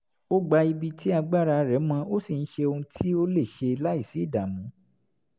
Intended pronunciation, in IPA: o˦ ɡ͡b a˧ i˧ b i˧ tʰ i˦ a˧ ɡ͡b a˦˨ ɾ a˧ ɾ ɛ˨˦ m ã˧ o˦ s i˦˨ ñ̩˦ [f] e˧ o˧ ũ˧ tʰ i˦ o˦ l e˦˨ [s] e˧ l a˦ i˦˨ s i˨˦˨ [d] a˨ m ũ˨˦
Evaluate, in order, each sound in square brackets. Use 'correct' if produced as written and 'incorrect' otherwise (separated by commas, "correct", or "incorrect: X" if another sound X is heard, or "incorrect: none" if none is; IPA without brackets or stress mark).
incorrect: ʃ, incorrect: ʃ, correct